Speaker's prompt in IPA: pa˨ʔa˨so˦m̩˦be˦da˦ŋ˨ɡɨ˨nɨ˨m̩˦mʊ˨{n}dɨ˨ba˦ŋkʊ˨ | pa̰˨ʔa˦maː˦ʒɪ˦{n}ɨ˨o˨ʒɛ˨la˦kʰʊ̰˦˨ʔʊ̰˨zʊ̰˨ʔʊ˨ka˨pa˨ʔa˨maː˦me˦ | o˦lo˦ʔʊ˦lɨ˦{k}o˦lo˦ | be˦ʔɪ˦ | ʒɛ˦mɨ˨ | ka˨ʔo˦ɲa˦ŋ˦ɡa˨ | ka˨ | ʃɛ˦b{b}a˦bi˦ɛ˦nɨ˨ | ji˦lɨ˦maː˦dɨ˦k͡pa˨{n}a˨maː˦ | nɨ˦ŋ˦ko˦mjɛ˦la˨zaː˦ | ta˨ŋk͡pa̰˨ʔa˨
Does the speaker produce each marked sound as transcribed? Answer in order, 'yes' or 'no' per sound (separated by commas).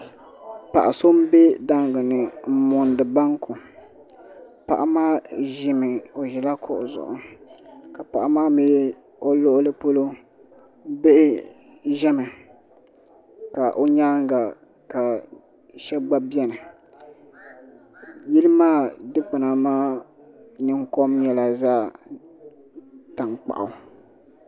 yes, no, no, no, yes